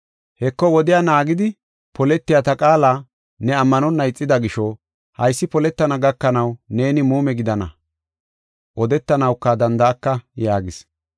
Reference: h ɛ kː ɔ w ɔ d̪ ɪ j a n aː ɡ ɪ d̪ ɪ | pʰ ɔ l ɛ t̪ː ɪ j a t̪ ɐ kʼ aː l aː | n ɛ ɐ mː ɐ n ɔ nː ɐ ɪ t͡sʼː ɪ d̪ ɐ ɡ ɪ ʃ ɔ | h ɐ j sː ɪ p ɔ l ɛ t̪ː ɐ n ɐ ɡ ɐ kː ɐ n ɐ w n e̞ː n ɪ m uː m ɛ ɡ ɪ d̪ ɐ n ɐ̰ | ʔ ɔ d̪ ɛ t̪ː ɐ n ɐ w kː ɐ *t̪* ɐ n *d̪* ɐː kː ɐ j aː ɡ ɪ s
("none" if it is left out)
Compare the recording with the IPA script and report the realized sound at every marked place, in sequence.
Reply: d̪, d̪

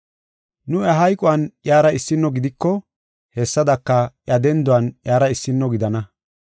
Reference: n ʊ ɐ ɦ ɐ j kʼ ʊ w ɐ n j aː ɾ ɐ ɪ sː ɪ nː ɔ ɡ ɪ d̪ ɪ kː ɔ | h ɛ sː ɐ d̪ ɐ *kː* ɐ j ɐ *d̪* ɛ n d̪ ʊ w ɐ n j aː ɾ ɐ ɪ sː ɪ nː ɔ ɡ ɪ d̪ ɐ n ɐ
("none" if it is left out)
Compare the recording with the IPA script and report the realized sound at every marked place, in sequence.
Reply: kː, d̪

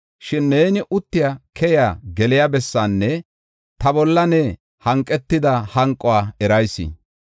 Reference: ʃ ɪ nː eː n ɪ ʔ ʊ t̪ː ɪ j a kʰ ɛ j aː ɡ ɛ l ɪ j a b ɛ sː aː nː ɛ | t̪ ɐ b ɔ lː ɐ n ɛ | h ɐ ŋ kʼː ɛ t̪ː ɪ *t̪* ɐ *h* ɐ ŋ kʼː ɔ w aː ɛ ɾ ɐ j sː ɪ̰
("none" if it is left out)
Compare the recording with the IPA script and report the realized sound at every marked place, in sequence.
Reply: d̪, h

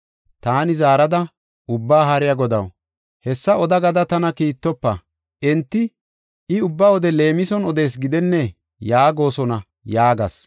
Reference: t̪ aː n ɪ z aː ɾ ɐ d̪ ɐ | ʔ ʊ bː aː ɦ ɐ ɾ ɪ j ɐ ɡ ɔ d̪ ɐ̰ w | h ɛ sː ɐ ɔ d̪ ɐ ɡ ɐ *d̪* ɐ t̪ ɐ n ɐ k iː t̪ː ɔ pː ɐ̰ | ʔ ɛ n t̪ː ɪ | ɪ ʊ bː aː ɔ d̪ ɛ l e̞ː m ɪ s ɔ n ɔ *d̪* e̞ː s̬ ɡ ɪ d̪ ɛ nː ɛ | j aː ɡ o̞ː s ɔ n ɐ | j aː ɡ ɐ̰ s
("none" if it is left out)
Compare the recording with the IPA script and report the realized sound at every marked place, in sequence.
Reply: d̪, d̪

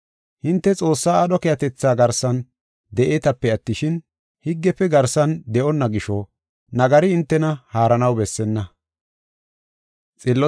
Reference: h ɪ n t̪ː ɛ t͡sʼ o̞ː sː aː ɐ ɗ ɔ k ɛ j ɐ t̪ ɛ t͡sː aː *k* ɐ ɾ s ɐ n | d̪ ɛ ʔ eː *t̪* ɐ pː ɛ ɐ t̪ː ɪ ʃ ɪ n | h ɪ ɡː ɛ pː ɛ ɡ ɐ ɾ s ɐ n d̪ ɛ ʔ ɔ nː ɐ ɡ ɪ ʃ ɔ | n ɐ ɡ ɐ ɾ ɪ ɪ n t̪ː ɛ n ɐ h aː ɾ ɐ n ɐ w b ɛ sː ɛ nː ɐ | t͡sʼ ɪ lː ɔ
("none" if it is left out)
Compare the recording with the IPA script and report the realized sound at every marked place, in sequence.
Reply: ɡ, t̪

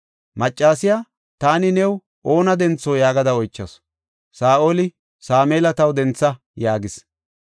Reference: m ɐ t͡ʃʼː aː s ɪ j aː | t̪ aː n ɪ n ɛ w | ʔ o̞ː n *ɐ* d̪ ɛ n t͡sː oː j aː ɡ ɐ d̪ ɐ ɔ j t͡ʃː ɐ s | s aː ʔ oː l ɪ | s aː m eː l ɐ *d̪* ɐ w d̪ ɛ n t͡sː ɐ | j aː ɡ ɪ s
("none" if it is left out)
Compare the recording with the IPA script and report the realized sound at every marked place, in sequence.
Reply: ɐ, t̪

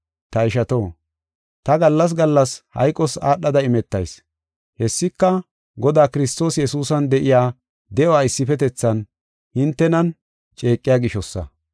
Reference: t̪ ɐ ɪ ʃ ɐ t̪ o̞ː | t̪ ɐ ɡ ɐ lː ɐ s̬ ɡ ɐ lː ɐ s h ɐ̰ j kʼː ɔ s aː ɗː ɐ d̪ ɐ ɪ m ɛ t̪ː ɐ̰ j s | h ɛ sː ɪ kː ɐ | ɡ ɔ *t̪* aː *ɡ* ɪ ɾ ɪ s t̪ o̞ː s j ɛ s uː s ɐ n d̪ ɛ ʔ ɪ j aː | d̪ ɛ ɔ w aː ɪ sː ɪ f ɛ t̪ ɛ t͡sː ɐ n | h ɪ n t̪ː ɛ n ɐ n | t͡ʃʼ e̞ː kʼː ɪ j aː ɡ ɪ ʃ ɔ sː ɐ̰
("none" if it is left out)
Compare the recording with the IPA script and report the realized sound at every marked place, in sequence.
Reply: d̪, k

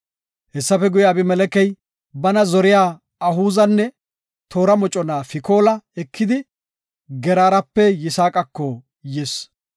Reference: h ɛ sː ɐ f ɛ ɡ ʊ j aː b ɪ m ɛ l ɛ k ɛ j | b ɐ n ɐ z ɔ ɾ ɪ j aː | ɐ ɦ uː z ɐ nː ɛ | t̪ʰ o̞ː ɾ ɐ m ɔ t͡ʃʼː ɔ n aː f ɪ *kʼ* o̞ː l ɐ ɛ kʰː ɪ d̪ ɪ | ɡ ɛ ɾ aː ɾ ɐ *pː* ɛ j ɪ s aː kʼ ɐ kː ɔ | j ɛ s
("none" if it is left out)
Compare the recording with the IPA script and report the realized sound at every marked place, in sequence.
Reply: k, pː

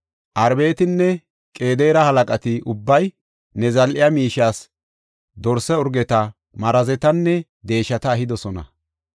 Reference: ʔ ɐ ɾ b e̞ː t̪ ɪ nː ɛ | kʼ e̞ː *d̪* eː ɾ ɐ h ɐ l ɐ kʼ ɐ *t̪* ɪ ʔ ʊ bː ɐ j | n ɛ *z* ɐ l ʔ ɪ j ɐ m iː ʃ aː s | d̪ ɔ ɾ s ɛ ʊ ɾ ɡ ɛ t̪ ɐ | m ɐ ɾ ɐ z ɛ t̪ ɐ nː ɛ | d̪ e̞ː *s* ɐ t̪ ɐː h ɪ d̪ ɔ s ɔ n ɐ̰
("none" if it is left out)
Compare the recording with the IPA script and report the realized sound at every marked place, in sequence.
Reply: d̪, t̪, z, ʃ

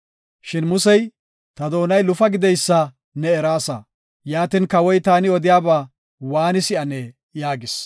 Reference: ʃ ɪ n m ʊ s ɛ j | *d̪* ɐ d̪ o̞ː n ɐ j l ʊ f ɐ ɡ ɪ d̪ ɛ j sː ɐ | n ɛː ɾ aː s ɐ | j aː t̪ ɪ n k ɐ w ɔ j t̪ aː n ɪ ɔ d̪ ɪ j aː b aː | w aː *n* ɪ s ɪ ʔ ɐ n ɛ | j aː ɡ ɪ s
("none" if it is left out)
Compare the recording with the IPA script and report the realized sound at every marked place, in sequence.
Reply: t̪, n

